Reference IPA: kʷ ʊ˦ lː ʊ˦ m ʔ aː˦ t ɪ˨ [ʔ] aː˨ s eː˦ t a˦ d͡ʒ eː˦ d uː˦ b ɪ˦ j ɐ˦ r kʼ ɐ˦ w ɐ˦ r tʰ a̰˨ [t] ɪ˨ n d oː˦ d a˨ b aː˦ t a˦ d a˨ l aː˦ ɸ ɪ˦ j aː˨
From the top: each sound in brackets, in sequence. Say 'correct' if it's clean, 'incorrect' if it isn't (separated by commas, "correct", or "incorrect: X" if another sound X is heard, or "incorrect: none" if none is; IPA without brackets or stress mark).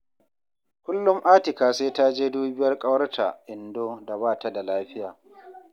incorrect: k, incorrect: ʔ